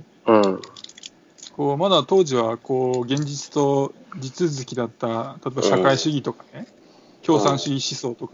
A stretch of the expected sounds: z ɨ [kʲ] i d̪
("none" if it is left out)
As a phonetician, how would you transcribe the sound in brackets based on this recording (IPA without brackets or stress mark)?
kʲ